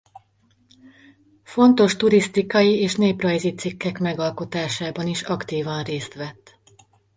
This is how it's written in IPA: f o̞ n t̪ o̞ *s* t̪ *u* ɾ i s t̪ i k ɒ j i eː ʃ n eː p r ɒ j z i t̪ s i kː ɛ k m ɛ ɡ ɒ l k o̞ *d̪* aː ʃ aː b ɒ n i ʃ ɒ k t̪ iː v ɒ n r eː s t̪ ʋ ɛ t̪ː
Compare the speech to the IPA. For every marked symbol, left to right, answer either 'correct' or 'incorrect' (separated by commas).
incorrect, correct, incorrect